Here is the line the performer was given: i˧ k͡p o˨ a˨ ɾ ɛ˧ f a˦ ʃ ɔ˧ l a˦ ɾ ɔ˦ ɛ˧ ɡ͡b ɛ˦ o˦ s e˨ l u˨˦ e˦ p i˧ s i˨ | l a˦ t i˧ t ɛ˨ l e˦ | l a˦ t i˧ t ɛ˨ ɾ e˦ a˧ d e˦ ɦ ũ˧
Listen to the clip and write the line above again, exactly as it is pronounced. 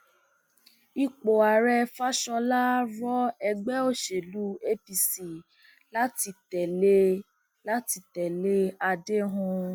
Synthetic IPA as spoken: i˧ k͡p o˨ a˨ ɾ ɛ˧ f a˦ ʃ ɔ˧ l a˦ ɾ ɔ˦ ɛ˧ ɡ͡b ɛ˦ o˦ ʃ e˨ l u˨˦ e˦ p i˧ s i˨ | l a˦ t i˧ t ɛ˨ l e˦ | l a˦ t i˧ t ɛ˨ l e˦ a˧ d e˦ ɦ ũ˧

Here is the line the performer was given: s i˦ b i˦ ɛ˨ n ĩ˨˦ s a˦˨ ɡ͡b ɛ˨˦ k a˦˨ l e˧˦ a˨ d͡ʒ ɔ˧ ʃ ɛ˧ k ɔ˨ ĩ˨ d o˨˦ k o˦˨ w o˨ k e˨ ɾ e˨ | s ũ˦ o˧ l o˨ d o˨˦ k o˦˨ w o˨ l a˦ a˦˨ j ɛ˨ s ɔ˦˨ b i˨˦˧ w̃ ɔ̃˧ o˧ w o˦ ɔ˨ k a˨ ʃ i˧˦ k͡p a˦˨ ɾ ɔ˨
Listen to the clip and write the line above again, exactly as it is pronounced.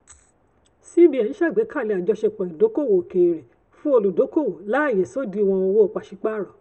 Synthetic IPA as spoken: s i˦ b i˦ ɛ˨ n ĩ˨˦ ʃ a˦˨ ɡ͡b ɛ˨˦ k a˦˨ l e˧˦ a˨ d͡ʒ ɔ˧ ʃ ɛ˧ k͡p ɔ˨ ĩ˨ d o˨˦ k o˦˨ w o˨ k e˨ ɾ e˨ | f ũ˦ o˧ l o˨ d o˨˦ k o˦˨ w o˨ l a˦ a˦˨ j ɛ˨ s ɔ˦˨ d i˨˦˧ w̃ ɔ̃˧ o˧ w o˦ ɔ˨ k͡p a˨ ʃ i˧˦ k͡p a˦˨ ɾ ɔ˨

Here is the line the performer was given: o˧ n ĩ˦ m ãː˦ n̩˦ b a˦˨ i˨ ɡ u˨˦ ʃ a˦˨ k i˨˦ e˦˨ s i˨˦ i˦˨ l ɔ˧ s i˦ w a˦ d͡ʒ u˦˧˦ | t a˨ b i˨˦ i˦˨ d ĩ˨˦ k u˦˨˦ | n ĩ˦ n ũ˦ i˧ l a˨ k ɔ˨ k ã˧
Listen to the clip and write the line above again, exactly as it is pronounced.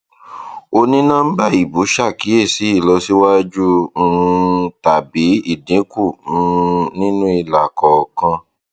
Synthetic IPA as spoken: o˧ n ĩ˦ n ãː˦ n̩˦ b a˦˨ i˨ b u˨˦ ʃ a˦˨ k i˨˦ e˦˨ s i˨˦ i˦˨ l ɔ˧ s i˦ w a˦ d͡ʒ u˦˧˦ | t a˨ b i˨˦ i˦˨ d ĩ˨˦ k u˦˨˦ | n ĩ˦ n ũ˦ i˧ l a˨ k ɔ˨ k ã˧

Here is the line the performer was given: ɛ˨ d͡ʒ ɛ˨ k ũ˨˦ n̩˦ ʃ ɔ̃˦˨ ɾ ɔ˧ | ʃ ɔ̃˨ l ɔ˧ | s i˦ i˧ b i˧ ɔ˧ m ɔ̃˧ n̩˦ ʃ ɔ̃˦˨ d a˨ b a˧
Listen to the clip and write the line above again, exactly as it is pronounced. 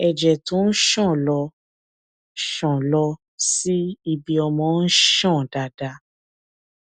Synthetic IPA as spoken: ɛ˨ d͡ʒ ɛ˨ t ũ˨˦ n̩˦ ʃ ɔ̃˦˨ l ɔ˧ | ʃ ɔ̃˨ l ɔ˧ | s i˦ i˧ b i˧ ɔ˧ m ɔ̃˧ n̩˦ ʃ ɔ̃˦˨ d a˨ d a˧

